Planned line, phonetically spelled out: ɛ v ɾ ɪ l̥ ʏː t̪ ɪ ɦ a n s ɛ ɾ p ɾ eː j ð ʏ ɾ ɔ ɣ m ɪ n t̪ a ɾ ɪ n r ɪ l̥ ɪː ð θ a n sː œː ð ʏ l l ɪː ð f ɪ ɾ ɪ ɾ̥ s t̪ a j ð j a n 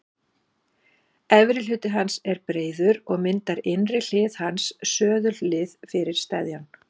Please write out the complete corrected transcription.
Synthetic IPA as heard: ɛ v ɾ ɪ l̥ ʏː t̪ ɪ ɦ a n s ɛ ɾ p ɾ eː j ð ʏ ɾ ɔ ɣ m ɪ n t̪ a ɾ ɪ n r ɪ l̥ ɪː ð h a n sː œː ð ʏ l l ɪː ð f ɪ ɾ ɪ ɾ̥ s t̪ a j ð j a n